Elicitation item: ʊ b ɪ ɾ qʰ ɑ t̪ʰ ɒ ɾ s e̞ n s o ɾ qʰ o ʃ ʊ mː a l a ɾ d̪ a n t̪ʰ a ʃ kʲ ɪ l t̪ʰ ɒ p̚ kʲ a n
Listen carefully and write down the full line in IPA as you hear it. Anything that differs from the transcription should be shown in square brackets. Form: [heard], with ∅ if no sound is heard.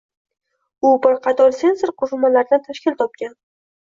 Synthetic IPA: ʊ b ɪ ɾ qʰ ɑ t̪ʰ ɒ ɾ s e̞ n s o ɾ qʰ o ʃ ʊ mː a l a ɾ d̪ a n t̪ʰ a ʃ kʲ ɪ l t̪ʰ ɒ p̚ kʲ a n